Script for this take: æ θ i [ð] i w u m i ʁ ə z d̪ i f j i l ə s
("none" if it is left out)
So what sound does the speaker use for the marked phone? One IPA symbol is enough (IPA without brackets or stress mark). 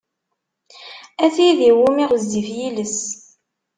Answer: ð